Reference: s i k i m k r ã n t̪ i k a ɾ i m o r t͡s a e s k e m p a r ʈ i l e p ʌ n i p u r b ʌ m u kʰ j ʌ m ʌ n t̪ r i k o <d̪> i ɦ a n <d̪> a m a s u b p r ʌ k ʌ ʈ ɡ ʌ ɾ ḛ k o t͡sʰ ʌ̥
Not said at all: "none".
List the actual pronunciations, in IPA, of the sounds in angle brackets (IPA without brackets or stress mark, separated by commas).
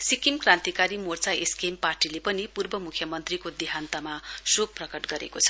d̪, t̪